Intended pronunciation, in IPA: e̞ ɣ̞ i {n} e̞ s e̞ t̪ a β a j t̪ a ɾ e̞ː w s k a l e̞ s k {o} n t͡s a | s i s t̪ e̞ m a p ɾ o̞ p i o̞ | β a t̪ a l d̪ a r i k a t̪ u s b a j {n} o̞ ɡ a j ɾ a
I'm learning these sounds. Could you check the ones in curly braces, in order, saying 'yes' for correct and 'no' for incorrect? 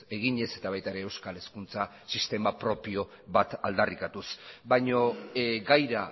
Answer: no, no, no

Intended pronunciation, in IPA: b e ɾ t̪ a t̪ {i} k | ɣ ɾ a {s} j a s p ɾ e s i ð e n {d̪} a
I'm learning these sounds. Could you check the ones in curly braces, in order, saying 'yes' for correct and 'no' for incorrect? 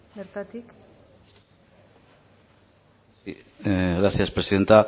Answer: yes, no, no

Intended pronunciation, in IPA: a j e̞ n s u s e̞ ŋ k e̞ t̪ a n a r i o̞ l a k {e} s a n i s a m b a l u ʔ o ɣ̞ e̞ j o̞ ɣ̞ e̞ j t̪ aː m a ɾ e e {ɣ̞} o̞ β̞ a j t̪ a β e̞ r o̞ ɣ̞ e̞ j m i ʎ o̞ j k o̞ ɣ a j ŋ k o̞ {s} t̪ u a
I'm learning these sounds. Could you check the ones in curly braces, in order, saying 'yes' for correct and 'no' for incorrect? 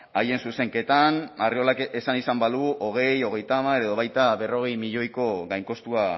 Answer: yes, no, yes

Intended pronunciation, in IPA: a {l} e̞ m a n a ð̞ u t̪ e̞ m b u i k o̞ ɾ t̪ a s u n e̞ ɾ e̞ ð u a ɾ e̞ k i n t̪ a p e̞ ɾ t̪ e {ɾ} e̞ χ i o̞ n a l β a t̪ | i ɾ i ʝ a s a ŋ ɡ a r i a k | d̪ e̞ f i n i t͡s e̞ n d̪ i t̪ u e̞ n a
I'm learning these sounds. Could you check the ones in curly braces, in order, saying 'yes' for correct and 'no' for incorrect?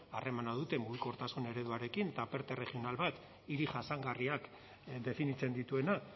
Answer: no, no

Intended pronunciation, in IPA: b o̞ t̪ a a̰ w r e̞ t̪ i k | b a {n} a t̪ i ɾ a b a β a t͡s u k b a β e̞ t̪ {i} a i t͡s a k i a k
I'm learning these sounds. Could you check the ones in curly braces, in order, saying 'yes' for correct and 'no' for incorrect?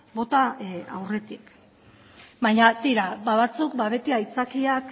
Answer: no, yes

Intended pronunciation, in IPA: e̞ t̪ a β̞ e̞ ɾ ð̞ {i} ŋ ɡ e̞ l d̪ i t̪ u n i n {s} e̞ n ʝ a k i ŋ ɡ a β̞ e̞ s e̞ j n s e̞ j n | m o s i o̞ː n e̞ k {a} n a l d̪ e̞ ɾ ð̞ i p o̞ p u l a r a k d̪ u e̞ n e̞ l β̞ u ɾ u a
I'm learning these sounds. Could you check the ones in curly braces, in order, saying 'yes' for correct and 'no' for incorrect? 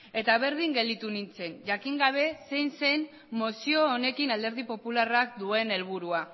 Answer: yes, no, no

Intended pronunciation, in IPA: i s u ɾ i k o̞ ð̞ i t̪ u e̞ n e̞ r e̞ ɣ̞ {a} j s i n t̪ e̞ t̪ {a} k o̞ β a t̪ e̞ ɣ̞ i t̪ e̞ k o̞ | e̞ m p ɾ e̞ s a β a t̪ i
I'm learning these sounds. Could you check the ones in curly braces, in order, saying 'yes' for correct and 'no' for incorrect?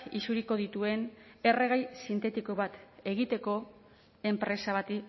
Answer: yes, no

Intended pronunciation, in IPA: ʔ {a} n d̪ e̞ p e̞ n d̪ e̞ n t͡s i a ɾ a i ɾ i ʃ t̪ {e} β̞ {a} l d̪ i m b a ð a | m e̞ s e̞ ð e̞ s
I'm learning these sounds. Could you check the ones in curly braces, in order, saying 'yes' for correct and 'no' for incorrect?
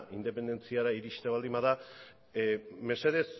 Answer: no, yes, yes

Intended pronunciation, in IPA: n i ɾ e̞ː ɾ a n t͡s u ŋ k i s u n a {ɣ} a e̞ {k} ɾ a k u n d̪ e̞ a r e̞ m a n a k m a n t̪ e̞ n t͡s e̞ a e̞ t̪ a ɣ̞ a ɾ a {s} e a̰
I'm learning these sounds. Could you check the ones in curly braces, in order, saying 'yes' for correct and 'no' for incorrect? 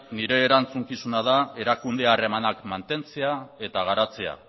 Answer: no, no, no

